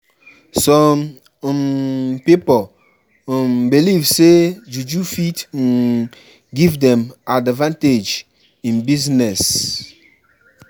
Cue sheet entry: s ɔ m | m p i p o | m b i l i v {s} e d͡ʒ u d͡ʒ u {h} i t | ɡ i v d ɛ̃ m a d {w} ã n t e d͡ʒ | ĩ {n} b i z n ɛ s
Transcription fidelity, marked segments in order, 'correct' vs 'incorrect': correct, incorrect, incorrect, correct

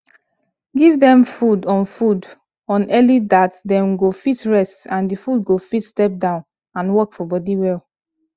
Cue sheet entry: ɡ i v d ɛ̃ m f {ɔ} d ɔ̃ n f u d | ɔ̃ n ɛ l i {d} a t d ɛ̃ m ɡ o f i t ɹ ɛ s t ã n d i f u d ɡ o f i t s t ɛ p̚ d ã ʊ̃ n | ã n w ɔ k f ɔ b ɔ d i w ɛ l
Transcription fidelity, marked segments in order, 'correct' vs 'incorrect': incorrect, correct

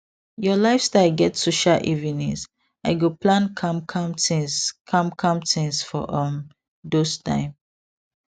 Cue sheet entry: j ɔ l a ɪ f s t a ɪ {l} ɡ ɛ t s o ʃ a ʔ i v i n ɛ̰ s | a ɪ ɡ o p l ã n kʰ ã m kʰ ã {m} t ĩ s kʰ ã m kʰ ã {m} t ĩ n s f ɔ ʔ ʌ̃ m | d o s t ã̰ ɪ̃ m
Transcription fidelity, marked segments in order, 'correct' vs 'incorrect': correct, correct, correct

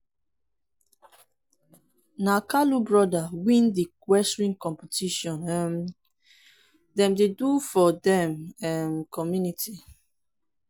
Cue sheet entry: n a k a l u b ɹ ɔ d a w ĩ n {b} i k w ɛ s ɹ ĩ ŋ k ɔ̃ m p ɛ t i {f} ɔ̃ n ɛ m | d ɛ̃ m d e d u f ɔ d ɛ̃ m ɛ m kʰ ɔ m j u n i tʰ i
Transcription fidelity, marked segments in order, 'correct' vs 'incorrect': incorrect, incorrect

